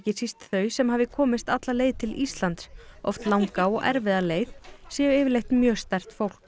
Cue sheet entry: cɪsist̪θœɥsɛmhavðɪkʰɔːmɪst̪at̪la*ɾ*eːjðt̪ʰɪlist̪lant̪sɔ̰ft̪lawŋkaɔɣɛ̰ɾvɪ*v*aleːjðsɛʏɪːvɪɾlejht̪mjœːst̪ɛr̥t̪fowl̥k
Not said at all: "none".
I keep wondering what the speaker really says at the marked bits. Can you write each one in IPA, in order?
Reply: l, ð

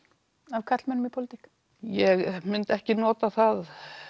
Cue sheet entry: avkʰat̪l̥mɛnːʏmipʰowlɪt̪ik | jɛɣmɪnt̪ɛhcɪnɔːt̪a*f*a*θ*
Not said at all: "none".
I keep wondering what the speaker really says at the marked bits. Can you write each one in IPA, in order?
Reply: θ, ð

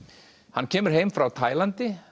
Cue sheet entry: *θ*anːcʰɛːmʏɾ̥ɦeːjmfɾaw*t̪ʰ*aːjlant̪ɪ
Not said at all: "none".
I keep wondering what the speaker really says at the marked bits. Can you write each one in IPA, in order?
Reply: h, t̪ʰ

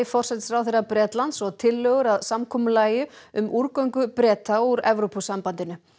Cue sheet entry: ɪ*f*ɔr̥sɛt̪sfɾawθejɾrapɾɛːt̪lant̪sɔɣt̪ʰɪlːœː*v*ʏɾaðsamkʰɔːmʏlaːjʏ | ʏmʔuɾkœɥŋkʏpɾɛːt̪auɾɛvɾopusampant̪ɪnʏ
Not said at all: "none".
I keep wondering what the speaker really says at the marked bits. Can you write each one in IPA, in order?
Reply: f, ɣ

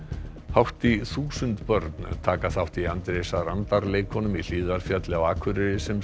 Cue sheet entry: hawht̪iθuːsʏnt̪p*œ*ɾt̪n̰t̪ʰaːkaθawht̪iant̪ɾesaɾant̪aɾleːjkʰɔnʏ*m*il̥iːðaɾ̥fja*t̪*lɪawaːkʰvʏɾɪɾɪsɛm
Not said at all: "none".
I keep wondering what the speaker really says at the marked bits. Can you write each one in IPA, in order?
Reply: œ, m, t̪

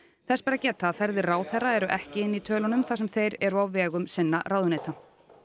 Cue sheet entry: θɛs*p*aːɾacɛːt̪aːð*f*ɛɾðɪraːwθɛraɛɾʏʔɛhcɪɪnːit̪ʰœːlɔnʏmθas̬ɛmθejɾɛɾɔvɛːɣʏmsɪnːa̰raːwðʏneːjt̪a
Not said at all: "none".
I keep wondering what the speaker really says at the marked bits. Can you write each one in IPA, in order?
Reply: p, f

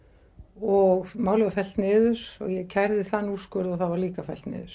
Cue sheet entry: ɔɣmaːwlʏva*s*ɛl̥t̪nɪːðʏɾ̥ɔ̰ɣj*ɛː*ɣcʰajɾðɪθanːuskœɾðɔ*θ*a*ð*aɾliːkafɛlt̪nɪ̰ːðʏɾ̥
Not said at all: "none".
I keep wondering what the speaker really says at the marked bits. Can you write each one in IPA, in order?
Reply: f, ɛ, θ, v

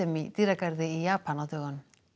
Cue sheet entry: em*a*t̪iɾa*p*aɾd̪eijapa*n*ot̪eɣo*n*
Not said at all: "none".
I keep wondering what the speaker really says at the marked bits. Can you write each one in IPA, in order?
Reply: i, k, n, n

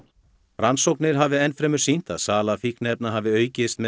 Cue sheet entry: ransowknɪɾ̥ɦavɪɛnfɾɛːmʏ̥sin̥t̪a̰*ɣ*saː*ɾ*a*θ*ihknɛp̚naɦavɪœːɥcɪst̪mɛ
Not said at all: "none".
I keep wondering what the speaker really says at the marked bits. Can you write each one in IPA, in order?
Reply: ð, l, f

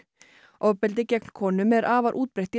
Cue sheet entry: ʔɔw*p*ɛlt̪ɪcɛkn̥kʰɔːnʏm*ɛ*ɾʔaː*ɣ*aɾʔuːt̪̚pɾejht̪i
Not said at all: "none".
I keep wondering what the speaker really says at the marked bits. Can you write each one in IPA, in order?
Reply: p, ɛ, v

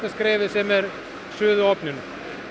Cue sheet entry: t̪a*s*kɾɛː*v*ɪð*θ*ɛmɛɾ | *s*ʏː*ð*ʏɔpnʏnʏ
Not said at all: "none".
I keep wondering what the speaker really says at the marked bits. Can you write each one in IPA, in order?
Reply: s, v, s, s, ð

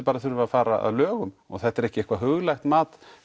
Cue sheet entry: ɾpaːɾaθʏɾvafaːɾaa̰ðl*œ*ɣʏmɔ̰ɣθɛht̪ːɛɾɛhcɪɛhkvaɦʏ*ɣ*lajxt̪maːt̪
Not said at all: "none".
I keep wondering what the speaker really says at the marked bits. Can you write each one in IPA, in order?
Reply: œː, ɣ

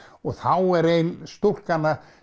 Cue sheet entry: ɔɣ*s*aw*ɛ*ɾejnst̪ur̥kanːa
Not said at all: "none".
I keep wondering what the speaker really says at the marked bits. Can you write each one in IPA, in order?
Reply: θ, ɛ

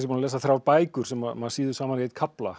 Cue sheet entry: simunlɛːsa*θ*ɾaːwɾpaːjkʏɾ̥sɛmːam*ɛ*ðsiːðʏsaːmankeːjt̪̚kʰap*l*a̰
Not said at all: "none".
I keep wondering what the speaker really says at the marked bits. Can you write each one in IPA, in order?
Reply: θ, a, l

